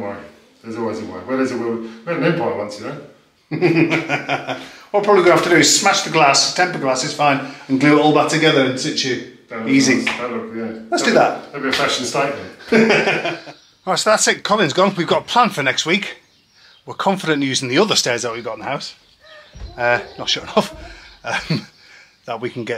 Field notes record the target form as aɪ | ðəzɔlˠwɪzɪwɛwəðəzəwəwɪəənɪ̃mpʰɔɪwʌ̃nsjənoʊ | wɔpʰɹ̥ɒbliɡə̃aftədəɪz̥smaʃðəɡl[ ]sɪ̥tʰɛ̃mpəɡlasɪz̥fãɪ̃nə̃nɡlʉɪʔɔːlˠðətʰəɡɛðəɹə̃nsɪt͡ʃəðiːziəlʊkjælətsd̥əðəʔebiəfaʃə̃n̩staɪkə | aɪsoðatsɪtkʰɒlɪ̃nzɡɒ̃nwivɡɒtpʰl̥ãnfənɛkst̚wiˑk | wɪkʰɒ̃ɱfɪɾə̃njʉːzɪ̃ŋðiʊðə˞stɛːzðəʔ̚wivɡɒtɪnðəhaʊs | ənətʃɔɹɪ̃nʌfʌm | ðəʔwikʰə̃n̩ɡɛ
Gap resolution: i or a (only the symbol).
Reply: a